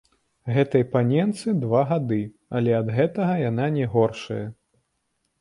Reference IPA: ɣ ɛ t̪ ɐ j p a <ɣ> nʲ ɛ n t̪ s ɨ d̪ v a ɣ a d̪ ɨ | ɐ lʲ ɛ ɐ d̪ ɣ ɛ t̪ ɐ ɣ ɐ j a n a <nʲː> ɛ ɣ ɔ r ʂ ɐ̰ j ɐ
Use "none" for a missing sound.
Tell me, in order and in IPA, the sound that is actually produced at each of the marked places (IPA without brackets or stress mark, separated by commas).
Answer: none, nʲ